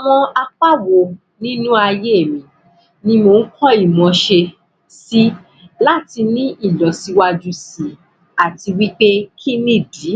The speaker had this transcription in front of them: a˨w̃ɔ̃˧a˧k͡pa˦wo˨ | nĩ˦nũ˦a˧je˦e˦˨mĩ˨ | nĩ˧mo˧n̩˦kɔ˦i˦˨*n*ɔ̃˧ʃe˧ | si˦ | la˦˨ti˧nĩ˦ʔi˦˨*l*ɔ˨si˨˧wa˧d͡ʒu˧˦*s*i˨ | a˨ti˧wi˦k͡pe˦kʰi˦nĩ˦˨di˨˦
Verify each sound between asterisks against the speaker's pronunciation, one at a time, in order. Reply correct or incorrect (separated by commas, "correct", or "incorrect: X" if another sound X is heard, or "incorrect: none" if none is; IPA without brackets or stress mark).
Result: incorrect: m, correct, correct